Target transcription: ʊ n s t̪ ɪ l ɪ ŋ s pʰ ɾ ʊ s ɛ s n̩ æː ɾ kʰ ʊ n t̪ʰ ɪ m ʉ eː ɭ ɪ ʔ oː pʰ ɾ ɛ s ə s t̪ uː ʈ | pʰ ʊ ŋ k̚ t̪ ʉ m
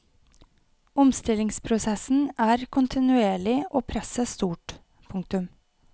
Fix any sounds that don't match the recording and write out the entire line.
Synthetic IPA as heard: ʊ m s t̪ ɪ l ɪ ŋ s pʰ ɾ ʊ s ɛ s n̩ æː ɾ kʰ ʊ n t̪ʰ ɪ n ʉ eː ɭ ɪ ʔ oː pʰ ɾ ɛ s ə s t̪ uː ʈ | pʰ ʊ ŋ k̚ t̪ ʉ m